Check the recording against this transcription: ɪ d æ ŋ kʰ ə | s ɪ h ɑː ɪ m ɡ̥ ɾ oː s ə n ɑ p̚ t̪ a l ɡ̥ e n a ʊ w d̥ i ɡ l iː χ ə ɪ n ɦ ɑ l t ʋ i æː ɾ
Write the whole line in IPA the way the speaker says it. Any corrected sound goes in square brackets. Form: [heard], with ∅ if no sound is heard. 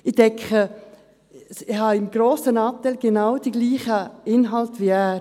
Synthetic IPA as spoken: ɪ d [ɛ] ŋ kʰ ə | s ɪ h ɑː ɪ m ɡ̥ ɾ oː s ə n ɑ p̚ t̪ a l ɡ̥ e n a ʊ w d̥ i ɡ l iː χ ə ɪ n ɦ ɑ l t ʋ i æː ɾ